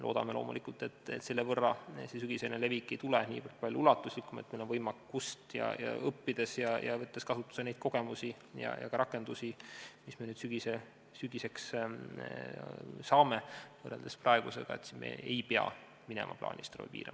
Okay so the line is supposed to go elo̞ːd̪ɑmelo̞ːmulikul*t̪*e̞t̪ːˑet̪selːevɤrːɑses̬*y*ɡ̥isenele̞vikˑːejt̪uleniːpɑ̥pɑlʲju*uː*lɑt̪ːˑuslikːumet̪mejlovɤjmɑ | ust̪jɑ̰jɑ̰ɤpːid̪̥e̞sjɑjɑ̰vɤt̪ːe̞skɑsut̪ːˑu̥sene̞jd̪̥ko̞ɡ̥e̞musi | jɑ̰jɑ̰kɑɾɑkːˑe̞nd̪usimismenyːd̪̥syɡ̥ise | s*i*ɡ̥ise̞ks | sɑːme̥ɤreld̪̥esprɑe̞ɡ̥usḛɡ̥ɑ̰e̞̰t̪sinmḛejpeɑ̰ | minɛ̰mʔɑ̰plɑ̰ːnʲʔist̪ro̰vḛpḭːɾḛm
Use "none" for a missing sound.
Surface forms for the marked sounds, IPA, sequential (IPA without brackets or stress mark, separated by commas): t̪, y, u, y